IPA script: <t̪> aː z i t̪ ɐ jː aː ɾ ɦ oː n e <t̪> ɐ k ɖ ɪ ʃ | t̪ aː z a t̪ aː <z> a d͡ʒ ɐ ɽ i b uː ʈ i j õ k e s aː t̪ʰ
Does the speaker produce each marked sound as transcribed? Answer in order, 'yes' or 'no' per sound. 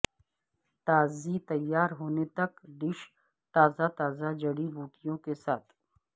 yes, yes, yes

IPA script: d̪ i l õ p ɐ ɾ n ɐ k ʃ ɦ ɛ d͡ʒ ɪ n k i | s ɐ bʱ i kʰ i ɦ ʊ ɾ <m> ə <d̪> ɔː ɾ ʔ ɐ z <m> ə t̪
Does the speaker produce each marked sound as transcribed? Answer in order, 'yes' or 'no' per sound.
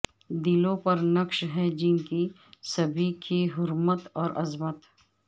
yes, no, yes

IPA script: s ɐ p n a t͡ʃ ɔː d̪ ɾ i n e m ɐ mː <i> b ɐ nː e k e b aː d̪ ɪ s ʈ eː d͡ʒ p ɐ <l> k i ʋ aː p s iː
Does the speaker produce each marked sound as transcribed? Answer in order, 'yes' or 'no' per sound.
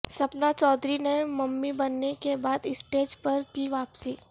yes, no

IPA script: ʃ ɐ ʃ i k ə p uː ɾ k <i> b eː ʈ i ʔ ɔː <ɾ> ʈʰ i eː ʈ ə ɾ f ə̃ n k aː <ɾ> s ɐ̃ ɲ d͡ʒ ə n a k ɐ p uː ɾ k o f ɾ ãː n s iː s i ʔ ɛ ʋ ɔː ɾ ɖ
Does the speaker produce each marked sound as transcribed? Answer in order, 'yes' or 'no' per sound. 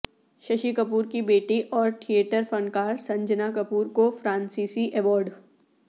yes, yes, yes

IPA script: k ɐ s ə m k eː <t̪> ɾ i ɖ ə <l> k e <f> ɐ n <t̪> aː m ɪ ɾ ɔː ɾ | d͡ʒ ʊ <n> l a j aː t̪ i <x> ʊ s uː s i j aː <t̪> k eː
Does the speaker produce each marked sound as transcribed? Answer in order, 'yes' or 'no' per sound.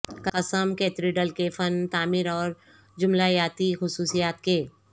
yes, yes, yes, yes, no, yes, yes

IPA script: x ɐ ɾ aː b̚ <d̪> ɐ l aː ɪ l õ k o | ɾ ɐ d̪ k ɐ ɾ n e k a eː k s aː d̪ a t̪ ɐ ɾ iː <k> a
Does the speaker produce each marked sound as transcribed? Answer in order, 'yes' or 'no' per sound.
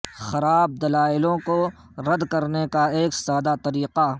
yes, no

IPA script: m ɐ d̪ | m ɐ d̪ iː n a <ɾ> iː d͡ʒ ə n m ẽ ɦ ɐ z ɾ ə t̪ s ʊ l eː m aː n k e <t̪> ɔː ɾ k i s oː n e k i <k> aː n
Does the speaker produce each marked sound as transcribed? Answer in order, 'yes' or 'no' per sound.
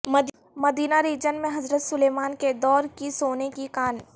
yes, no, yes

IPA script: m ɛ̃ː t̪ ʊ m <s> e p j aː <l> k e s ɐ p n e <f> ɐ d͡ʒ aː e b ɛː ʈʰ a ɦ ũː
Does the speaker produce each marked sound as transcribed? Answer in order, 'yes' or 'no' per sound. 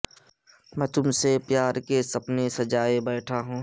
yes, no, no

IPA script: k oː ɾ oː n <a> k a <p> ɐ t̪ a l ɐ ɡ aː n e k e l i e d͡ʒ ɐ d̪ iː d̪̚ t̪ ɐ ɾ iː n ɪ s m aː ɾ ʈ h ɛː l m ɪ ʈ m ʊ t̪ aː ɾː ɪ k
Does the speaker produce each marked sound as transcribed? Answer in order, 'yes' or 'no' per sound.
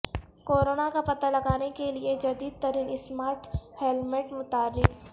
yes, yes

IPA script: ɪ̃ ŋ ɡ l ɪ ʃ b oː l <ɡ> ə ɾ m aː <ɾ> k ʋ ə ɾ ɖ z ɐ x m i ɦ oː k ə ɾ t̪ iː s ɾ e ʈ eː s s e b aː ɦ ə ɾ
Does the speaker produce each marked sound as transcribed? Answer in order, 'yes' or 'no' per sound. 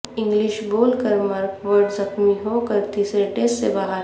no, yes

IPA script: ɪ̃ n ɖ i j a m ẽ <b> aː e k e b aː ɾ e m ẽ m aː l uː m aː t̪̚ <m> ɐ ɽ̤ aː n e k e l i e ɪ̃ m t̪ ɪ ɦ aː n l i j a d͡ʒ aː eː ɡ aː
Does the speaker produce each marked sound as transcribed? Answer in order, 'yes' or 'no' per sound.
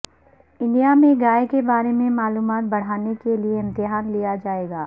no, no

